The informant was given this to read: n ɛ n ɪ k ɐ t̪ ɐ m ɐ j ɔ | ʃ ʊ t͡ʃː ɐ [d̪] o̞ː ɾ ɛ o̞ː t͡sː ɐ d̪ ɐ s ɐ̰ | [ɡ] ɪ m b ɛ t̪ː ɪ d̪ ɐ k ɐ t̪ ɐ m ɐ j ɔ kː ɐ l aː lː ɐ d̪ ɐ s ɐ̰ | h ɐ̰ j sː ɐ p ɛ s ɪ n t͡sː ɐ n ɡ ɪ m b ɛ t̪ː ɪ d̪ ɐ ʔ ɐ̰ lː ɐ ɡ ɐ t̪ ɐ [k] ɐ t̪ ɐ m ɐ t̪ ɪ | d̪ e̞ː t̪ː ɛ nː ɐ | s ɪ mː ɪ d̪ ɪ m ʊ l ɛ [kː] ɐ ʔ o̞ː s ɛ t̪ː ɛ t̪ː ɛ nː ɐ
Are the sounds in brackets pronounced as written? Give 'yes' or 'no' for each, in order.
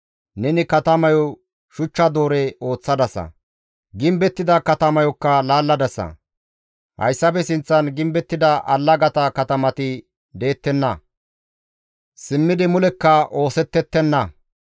yes, yes, yes, yes

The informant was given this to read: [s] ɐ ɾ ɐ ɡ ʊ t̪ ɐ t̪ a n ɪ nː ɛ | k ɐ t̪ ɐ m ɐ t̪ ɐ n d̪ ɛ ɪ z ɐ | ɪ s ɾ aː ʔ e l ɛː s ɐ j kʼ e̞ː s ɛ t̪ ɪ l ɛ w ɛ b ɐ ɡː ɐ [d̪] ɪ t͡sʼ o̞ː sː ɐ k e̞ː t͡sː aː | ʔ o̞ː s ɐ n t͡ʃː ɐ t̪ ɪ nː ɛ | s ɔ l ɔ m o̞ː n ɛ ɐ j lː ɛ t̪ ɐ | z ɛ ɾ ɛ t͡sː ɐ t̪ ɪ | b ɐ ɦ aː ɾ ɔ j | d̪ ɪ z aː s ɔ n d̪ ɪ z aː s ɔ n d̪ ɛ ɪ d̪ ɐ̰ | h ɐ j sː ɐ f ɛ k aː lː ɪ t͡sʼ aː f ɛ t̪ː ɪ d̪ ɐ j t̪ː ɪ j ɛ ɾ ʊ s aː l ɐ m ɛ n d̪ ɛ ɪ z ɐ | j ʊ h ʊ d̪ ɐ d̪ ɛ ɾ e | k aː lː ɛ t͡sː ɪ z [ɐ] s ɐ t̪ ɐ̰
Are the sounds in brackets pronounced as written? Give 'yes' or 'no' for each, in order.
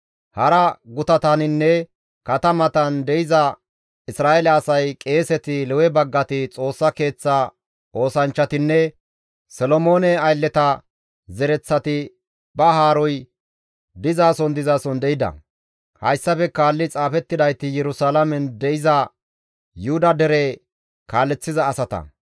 no, no, no

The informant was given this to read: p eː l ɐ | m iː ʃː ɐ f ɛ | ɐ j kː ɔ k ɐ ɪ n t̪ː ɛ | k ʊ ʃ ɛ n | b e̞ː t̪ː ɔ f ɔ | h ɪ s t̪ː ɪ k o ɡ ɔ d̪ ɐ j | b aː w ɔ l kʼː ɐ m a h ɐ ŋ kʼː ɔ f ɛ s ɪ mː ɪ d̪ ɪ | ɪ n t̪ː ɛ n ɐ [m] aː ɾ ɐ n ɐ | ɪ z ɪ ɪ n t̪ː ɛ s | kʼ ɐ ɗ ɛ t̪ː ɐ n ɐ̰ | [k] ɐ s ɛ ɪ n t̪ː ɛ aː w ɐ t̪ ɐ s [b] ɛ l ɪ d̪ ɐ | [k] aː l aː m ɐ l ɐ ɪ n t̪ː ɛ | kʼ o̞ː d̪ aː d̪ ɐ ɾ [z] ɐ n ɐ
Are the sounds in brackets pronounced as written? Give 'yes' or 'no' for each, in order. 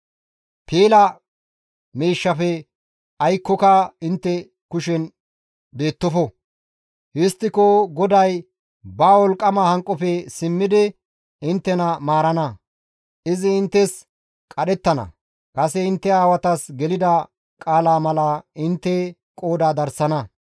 yes, no, no, no, no

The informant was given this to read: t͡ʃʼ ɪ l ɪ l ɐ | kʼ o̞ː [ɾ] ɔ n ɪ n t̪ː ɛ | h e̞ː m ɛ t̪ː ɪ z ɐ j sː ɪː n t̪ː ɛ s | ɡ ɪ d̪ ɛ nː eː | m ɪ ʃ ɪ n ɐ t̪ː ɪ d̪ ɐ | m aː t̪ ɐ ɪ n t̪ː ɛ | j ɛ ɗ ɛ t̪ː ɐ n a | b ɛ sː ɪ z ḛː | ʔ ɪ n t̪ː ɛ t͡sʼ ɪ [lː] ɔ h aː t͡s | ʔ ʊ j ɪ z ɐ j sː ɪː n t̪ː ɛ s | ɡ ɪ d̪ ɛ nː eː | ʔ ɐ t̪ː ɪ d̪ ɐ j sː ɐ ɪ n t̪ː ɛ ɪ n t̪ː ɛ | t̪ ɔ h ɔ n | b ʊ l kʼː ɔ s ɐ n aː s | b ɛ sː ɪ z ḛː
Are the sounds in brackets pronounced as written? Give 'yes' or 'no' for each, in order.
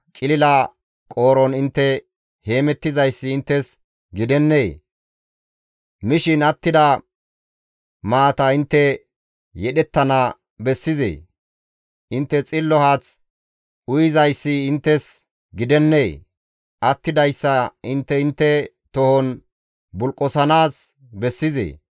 yes, yes

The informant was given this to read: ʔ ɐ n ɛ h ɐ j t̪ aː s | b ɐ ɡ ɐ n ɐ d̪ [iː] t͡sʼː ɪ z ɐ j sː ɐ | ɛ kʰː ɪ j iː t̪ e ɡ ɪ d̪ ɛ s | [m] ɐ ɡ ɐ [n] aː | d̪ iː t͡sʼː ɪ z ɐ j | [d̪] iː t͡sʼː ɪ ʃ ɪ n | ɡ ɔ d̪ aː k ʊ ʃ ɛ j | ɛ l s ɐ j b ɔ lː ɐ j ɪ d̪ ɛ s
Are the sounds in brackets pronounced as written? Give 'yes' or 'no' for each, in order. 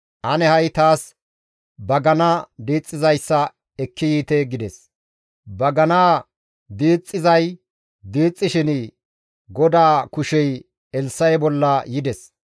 yes, no, yes, yes

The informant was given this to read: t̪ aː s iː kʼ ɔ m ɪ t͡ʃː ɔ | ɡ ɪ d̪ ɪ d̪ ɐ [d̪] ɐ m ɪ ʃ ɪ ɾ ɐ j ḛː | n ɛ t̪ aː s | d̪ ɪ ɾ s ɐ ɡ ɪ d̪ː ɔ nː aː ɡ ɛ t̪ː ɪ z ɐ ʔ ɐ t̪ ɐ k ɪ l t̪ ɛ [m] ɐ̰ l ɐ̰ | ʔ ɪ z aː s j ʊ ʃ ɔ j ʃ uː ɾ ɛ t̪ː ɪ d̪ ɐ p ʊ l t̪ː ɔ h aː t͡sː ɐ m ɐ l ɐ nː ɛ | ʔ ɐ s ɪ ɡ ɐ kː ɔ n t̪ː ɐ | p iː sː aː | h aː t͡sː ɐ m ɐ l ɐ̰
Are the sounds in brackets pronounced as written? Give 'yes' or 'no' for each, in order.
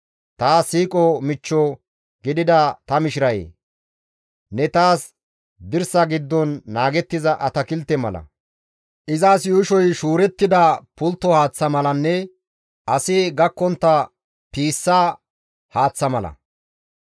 no, yes

